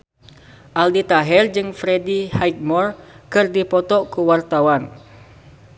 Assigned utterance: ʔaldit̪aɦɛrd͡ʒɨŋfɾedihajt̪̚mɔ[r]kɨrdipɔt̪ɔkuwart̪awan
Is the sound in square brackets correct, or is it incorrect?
correct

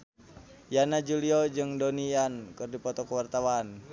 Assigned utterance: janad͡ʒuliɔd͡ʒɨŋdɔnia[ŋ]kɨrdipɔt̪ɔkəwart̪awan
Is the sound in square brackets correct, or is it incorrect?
incorrect: n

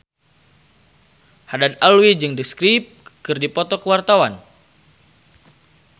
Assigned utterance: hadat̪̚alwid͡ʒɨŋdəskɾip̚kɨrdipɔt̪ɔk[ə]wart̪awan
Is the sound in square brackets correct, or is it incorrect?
correct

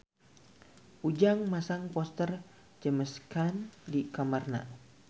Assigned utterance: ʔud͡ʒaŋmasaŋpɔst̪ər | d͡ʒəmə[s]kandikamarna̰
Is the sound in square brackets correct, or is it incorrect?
correct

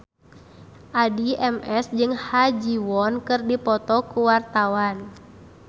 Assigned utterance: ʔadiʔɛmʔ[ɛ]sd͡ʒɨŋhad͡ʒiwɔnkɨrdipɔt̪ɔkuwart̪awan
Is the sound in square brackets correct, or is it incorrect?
correct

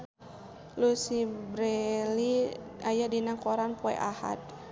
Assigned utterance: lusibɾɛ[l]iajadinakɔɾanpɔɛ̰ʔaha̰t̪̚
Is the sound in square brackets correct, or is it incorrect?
correct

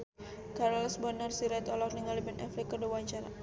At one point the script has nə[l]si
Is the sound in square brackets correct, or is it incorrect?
incorrect: r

